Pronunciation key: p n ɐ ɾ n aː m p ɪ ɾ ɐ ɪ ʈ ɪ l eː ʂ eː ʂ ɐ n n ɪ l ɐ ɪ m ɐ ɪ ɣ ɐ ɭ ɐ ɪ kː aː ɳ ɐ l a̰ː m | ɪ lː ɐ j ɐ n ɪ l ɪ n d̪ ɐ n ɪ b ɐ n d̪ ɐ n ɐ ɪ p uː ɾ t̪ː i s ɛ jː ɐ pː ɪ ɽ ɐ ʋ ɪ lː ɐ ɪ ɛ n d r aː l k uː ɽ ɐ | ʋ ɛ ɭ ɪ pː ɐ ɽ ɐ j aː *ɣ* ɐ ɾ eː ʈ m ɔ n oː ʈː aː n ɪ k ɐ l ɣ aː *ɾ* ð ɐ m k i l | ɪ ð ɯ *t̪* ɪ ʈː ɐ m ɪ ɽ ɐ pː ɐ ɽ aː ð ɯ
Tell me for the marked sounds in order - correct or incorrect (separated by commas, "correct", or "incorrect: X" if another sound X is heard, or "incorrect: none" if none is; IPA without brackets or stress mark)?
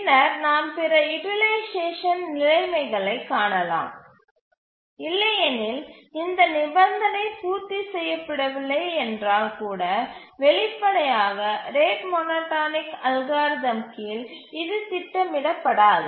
correct, correct, correct